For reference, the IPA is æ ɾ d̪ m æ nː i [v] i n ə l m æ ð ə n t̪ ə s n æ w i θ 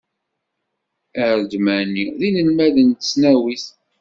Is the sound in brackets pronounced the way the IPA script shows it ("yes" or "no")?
no